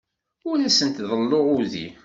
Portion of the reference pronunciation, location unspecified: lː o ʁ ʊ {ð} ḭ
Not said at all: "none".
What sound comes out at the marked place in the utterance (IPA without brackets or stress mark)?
ð